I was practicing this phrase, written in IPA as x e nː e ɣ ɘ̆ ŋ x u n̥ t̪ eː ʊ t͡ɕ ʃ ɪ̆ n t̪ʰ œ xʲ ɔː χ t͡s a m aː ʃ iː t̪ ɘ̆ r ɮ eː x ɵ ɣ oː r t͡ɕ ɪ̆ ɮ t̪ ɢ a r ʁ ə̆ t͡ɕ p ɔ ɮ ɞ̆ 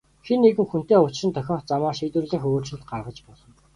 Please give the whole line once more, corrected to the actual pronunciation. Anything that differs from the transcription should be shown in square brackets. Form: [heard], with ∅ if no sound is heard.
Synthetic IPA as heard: x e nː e ɣ ɘ̆ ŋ x u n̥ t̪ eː ʊ t͡ɕ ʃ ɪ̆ n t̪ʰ œ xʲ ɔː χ t͡s a m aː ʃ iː t̪ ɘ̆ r ɮ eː x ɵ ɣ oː r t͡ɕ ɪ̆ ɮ t̪ ɢ a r ʁ ə̆ t͡ɕ p ɔ ɮ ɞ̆